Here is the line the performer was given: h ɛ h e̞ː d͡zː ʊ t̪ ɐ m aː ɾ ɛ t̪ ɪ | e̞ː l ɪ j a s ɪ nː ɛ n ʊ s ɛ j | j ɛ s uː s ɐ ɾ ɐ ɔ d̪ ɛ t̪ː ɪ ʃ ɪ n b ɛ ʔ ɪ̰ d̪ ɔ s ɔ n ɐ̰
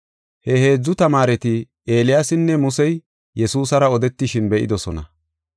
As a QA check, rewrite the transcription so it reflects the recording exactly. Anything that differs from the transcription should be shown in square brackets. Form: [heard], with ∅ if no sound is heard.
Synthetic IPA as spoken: h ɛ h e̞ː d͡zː ʊ t̪ ɐ m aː ɾ ɛ t̪ ɪ | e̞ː l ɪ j a s ɪ nː ɛ [m] ʊ s ɛ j | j ɛ s uː s ɐ ɾ ɐ ɔ d̪ ɛ t̪ː ɪ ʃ ɪ n b ɛ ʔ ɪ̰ d̪ ɔ s ɔ n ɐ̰